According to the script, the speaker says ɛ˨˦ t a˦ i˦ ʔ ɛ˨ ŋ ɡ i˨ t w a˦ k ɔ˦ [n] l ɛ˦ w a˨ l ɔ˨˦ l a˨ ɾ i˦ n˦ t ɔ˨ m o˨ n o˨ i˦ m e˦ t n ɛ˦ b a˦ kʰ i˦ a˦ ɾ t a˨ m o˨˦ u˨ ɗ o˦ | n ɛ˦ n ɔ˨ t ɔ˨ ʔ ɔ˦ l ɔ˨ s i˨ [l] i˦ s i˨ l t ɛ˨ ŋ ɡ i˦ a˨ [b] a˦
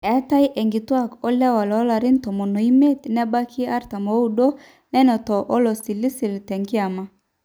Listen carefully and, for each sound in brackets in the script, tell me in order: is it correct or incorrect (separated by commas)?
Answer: incorrect, correct, incorrect